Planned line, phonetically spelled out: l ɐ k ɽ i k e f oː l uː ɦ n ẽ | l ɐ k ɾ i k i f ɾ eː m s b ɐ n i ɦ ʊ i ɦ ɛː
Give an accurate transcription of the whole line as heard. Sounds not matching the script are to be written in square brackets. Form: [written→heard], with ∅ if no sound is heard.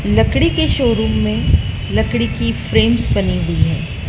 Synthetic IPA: l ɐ k ɽ i k e [f→ʃ] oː [l→ɾ] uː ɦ [n→m] ẽ | l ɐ k [ɾ→ɽ] i k i f ɾ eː m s b ɐ n i ɦ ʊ i ɦ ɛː